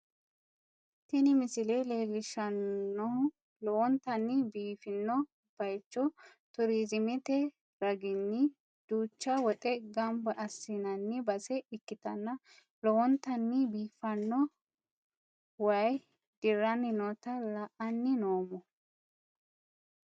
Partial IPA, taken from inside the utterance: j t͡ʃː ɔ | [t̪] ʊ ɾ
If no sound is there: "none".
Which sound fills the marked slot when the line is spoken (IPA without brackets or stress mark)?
t̪